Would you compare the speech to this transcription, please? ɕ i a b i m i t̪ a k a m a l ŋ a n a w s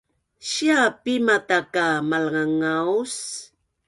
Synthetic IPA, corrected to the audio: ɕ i a p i m a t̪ a k a m a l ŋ a ŋ a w s